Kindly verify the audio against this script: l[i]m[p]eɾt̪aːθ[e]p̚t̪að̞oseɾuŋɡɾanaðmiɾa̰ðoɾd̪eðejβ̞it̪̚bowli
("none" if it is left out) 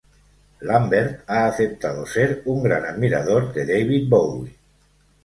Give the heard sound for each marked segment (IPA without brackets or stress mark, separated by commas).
a, b, e